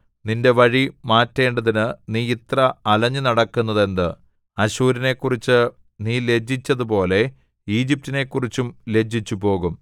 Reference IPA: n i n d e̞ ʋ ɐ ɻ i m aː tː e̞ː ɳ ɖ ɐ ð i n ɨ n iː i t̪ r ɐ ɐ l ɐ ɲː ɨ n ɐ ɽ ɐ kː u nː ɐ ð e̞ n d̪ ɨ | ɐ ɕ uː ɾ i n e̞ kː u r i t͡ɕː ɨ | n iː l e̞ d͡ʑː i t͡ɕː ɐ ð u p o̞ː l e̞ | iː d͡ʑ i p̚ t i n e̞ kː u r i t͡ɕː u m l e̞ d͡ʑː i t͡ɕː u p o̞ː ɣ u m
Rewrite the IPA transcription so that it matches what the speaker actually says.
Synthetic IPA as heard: n i n d e̞ ʋ ɐ ɻ i m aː tː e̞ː ɳ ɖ ɐ ð i n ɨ n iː i t̪ r ɐ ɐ l ɐ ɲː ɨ n ɐ ɽ ɐ kː u nː ɐ ð e̞ n d̪ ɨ | ɐ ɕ uː ɾ i n e̞ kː u r i t͡ɕː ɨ | n iː l e̞ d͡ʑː i t͡ɕː ɐ ð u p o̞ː l e̞ | iː d͡ʑ i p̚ t i n e̞ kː u r i t͡ɕː u m l e̞ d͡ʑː i t͡ɕː u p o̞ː ɣ u m